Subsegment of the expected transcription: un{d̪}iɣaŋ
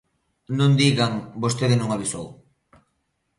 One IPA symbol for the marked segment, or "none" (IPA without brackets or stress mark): d̪